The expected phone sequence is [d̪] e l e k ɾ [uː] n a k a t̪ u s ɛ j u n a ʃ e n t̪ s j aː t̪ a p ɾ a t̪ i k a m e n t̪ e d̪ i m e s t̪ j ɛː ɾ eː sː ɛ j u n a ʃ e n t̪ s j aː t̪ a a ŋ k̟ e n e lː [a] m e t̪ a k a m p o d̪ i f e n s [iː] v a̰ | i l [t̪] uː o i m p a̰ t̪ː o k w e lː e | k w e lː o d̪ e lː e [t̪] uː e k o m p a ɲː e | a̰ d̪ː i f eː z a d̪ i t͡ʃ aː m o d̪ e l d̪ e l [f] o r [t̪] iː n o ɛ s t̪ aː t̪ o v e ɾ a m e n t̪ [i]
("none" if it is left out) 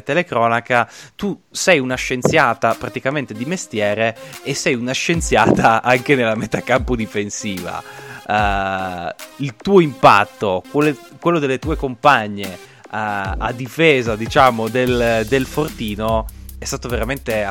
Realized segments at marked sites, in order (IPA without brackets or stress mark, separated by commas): t̪, ɔː, a, iː, t̪, t̪, f, t̪, e